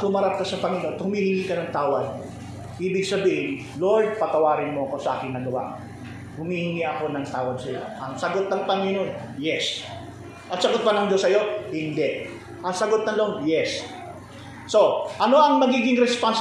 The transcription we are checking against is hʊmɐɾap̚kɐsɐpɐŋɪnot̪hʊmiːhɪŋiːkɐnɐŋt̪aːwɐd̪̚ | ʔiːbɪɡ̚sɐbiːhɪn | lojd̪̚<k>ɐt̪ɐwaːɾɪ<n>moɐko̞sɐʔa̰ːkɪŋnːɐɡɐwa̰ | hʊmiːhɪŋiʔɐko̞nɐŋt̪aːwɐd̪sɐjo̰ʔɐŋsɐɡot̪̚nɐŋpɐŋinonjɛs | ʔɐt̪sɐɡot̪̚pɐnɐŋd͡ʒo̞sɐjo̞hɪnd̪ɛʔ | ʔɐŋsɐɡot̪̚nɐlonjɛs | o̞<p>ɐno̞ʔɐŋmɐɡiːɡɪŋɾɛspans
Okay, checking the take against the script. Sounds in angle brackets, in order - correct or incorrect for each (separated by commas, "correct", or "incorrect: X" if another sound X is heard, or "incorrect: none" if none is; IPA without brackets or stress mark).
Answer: incorrect: p, correct, incorrect: ʔ